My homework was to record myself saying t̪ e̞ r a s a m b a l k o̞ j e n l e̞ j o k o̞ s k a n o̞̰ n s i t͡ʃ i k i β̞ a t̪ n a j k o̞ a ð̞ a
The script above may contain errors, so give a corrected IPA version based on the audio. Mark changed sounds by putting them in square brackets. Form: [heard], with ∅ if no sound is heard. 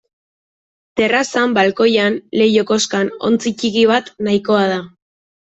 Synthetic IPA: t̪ e̞ r a s a m b a l k o̞ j [a] n l e̞ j o k o̞ s k a n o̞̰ n [t͡s] i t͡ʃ i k i β̞ a t̪ n a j k o̞ a ð̞ a

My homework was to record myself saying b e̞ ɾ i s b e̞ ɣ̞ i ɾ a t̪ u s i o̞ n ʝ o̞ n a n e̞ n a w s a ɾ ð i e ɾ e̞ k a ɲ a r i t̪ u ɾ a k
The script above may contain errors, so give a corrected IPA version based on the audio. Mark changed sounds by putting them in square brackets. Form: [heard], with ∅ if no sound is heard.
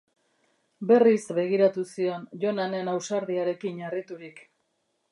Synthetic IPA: b e̞ [r] i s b e̞ ɣ̞ i ɾ a t̪ u s i o̞ n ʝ o̞ n a n e̞ n a w s a ɾ ð i [a] ɾ e̞ k [i] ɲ a r i t̪ u ɾ [i] k

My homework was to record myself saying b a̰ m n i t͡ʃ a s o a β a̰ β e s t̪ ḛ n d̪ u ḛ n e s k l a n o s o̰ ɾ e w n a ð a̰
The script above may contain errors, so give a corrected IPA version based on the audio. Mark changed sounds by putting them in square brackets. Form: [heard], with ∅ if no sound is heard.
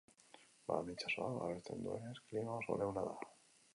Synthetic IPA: b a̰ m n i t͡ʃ a s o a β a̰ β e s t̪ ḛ n d̪ u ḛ n e s k l [i] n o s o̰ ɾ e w n a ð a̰

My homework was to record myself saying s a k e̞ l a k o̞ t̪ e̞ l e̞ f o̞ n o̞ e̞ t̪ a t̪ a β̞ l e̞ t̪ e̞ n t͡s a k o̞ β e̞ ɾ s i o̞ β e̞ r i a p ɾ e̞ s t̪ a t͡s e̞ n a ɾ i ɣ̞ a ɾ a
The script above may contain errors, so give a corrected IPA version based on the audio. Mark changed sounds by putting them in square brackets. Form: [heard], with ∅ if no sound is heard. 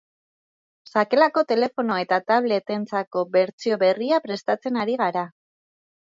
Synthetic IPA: s a k e̞ l a k o̞ t̪ e̞ l e̞ f o̞ n o̞ e̞ t̪ a t̪ a β̞ l e̞ t̪ e̞ n t͡s a k o̞ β e̞ ɾ [t͡s] i o̞ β e̞ r i a p ɾ e̞ s t̪ a t͡s e̞ n a ɾ i ɣ̞ a ɾ a

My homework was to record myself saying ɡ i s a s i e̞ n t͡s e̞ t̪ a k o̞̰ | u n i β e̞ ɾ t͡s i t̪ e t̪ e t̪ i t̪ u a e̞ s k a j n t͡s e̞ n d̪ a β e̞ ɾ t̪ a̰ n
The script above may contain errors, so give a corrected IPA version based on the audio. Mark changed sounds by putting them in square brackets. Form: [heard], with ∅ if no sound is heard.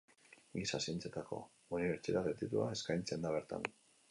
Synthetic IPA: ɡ i s a s i e̞ n t͡s e̞ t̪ a k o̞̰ | u n i β e̞ ɾ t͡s i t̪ [a] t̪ e t̪ i t̪ u a e̞ s k a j n t͡s e̞ n d̪ a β e̞ ɾ t̪ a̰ n

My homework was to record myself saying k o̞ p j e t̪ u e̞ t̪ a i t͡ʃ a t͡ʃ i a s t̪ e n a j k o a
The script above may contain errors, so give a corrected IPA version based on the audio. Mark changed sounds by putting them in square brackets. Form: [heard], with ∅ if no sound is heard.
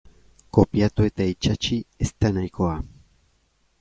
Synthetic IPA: k o̞ p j [a] t̪ u e̞ t̪ a i t͡ʃ a t͡ʃ i [e] s t̪ [a] n a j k o a

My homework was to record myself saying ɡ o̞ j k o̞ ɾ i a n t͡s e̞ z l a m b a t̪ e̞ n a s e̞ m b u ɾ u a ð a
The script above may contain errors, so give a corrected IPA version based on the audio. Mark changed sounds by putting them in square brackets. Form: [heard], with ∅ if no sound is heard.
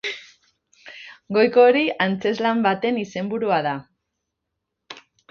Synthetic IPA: ɡ o̞ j k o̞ ɾ i a n t͡s e̞ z l a m b a t̪ e̞ n [i] s e̞ m b u ɾ u a ð a

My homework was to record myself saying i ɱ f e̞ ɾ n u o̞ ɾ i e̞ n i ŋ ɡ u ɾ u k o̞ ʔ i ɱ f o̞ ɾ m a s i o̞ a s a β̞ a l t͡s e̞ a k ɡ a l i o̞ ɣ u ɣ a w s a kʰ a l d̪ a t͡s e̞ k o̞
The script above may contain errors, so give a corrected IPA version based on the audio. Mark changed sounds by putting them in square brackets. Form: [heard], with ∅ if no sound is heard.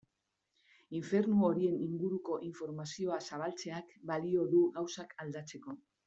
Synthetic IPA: i ɱ f e̞ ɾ n u o̞ ɾ i e̞ n i ŋ ɡ u ɾ u k o̞ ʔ i ɱ f o̞ ɾ m a s i o̞ a s a β̞ a l t͡s e̞ a k [b] a l i o̞ [ð] u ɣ a w s a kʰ a l d̪ a t͡s e̞ k o̞

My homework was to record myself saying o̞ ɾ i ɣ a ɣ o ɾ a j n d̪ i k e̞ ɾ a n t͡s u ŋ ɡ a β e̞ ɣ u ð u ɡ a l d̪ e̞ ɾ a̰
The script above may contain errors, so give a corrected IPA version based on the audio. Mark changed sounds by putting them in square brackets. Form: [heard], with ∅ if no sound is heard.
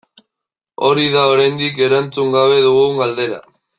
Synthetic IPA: o̞ ɾ i [ð] a [∅] o ɾ a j n d̪ i k e̞ ɾ a n t͡s u ŋ ɡ a β e̞ [ð] u [ɣ] u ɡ a l d̪ e̞ ɾ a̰

